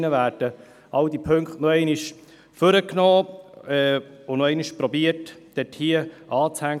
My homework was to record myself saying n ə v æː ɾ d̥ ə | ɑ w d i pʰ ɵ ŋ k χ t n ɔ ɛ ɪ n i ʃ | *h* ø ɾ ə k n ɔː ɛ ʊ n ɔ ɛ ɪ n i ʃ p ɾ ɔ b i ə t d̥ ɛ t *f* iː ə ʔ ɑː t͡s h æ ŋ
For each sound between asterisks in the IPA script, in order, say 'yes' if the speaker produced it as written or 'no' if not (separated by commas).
no, no